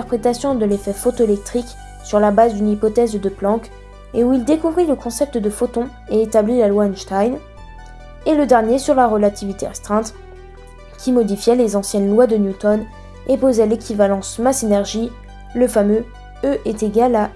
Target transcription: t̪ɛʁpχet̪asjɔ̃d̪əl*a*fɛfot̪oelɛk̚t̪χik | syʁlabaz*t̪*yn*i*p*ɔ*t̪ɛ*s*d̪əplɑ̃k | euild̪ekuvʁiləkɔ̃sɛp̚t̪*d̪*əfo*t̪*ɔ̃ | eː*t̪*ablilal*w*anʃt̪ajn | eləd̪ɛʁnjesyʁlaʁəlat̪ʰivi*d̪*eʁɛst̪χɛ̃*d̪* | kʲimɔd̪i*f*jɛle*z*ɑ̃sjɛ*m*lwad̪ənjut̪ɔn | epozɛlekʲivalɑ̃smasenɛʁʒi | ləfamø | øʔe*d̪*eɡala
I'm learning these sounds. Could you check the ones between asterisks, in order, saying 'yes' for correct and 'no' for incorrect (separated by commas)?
no, no, yes, yes, no, yes, yes, yes, yes, no, no, yes, yes, no, no